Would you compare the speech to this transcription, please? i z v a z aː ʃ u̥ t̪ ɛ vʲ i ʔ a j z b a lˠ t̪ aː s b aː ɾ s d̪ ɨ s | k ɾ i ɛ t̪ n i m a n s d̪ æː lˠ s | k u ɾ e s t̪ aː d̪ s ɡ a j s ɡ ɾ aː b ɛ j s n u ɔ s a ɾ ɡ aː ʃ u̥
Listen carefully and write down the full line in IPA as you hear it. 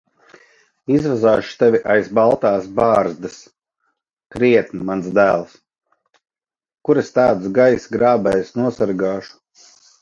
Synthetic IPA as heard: i z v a z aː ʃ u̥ t̪ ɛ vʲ i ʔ a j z b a lˠ t̪ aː s b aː ɾ z d̪ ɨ s | k ɾ i ɛ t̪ n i m a n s d̪ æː lˠ s | k u ɾ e s t̪ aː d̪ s ɡ a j s ɡ ɾ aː b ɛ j s n u ɔ s a ɾ ɡ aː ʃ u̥

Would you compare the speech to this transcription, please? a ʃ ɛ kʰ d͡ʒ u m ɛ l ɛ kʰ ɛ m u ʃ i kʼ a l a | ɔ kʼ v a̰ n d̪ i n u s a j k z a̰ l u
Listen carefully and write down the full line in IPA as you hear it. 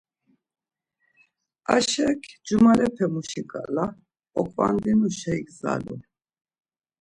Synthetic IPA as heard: a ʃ ɛ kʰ d͡ʒ u m a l ɛ pʰ ɛ m u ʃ i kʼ a l a | ɔ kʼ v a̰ n d̪ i n u ʃ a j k z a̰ l u

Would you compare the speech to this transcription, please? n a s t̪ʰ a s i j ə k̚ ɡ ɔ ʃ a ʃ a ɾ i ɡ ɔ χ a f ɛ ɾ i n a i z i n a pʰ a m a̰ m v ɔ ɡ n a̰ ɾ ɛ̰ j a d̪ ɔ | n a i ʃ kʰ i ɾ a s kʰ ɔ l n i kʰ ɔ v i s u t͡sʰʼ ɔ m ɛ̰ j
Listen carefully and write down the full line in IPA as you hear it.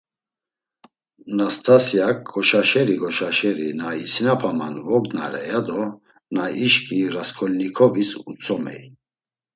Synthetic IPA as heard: n a s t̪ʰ a s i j a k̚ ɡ ɔ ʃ a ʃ ɛ ɾ i ɡ ɔ ʃ a ʃ ɛ ɾ i n a i s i n a pʰ a m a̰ n v ɔ ɡ n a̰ ɾ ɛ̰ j a d̪ ɔ | n a i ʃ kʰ i ɾ a s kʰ ɔ l n i kʰ ɔ v i s u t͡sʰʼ ɔ m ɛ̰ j

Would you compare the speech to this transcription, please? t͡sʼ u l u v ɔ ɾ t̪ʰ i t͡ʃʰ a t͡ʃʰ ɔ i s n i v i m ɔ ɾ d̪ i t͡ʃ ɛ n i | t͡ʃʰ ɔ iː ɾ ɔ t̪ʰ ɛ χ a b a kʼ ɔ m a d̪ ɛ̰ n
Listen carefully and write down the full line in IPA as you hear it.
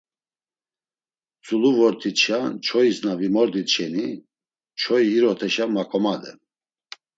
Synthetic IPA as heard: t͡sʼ u l u v ɔ ɾ t̪ʰ i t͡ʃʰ a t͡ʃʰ ɔ i s n a v i m ɔ ɾ d̪ i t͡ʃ ɛ n i | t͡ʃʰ ɔ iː ɾ ɔ t̪ʰ ɛ ʃ a m a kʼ ɔ m a d̪ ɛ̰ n

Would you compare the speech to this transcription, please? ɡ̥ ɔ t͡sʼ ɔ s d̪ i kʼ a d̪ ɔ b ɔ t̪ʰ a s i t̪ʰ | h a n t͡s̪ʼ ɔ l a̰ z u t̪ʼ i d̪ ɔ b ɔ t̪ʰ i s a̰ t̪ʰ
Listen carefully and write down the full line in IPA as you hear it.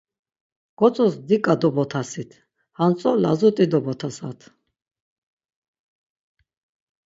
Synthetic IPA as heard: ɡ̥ ɔ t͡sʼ ɔ s d̪ i kʼ a d̪ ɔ b ɔ t̪ʰ a s i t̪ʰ | h a n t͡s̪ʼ ɔ l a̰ z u t̪ʼ i d̪ ɔ b ɔ t̪ʰ a s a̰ t̪ʰ

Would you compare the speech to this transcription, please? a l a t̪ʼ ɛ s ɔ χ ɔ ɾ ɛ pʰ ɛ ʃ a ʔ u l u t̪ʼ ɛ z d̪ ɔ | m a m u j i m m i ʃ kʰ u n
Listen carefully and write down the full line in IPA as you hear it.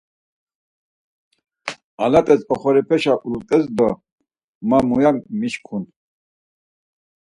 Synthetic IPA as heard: a l a t̪ʼ ɛ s ɔ χ ɔ ɾ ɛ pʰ ɛ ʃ a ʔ u l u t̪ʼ ɛ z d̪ ɔ | m a m u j a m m i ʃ kʰ u n

